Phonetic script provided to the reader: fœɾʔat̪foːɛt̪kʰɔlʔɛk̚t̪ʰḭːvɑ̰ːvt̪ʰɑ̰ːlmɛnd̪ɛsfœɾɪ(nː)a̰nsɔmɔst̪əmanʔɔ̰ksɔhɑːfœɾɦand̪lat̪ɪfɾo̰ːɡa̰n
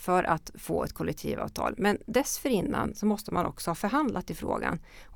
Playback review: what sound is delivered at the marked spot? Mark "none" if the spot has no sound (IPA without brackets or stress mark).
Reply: nː